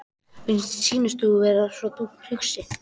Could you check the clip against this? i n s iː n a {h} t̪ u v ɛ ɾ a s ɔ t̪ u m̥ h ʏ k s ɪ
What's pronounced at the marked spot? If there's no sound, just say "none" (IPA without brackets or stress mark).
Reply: s